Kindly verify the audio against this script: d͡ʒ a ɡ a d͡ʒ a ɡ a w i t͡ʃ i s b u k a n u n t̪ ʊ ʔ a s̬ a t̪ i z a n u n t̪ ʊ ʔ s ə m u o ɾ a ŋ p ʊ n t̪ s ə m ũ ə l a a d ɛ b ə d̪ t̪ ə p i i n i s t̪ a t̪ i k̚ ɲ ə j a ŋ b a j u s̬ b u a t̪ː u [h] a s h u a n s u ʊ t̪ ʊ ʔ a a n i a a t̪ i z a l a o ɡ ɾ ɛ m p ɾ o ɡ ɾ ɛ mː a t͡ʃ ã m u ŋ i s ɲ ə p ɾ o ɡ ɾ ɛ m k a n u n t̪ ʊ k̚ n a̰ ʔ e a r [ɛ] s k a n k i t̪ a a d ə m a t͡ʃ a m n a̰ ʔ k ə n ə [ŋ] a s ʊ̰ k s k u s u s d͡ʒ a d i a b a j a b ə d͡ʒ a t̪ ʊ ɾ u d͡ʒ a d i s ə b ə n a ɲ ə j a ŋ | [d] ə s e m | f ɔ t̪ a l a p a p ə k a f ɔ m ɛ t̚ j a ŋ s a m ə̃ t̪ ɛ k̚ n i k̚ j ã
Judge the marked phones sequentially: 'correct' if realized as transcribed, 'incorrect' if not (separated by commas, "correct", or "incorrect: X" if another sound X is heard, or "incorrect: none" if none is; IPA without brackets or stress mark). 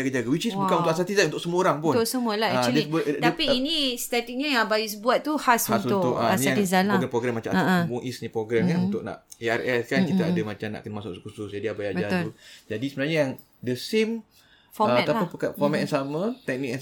correct, correct, incorrect: m, correct